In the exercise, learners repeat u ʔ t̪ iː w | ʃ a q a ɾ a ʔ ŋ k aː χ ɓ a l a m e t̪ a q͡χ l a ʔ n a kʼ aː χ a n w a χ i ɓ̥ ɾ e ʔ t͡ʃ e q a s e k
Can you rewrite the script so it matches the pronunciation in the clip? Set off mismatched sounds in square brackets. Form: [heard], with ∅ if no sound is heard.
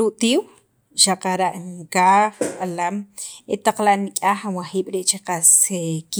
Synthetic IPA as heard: u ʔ t̪ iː w | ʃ a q a ɾ a ʔ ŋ k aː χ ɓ a l a m e t̪ a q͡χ l a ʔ n [i] kʼ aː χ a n w a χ [iː] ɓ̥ ɾ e ʔ t͡ʃ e q a s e k